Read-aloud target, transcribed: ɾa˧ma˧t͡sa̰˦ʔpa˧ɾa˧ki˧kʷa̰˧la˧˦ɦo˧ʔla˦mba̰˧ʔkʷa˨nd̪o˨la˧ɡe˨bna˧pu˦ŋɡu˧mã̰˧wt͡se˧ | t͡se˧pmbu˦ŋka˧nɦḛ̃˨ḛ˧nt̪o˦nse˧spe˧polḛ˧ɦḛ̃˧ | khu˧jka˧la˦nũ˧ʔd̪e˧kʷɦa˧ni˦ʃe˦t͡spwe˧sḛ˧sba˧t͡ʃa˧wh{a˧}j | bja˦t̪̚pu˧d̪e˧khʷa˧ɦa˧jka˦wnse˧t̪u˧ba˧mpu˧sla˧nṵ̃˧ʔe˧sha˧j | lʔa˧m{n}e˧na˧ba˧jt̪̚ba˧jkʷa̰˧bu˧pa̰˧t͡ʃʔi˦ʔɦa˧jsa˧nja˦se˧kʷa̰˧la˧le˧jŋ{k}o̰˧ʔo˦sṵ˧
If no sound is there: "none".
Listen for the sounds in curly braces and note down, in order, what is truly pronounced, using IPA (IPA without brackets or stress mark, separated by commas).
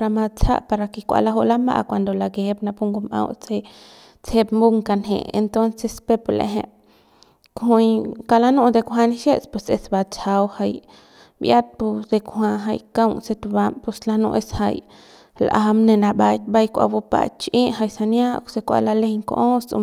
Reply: a˧, n, k